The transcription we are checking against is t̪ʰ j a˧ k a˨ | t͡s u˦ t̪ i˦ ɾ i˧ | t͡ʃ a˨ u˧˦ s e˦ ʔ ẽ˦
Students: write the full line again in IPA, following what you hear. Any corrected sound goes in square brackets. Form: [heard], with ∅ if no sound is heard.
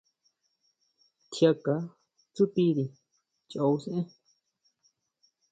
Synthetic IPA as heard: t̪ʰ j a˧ k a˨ | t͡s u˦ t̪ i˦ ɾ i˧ | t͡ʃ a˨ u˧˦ s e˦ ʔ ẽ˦

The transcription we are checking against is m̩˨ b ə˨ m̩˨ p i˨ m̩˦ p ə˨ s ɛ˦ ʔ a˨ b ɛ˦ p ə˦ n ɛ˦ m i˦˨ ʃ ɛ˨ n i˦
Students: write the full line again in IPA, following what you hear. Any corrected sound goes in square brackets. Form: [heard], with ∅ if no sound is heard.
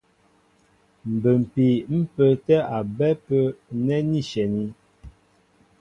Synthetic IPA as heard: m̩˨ b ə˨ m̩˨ p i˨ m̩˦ p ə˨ [t] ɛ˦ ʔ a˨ b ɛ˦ p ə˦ n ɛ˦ [n] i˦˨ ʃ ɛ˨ n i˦

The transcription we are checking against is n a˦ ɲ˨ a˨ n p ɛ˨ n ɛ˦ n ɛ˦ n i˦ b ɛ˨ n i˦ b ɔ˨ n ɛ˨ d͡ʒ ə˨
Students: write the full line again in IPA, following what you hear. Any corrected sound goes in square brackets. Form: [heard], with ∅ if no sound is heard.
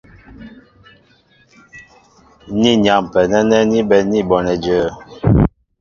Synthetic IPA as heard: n [i˦] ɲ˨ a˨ [m] p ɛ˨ n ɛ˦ n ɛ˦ n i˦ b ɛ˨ n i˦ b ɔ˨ n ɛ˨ d͡ʒ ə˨

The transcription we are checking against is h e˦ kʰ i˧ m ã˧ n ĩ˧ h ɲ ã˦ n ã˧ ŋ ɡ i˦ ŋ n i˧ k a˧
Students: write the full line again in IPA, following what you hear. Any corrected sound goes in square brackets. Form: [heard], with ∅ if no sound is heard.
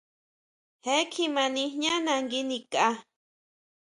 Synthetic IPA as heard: h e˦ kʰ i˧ m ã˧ n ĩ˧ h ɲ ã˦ n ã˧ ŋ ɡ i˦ [∅] n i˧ k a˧

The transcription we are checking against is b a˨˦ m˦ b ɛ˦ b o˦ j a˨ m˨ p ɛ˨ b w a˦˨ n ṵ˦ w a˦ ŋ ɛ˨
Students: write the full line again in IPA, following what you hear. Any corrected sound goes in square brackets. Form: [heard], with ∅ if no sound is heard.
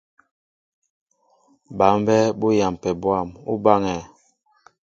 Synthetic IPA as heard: b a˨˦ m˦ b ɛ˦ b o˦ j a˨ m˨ p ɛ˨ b w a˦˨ [m] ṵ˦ [b] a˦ ŋ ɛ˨

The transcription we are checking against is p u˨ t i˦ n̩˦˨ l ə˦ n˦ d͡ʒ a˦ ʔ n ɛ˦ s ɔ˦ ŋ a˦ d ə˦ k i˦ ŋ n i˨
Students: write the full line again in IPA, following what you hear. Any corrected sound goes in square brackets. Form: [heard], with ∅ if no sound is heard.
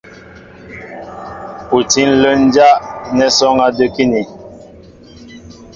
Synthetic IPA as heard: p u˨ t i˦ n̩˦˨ l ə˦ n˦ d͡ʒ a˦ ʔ n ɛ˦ s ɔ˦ ŋ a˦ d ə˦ k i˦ [∅] n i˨

